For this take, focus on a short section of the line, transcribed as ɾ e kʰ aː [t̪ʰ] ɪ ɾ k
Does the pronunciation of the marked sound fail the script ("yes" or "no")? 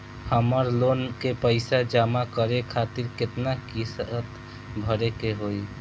yes